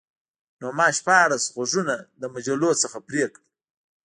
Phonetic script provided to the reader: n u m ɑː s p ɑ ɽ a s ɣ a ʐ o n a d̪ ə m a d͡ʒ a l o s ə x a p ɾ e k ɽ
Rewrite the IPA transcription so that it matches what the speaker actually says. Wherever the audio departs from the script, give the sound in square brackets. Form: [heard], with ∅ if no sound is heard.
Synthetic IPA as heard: n [o] m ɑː [ʃ] p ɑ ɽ a s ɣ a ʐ [u] n a d̪ ə m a d͡ʒ a l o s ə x a p ɾ e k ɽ